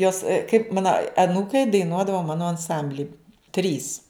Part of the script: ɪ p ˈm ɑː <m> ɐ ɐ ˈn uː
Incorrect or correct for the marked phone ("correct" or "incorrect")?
incorrect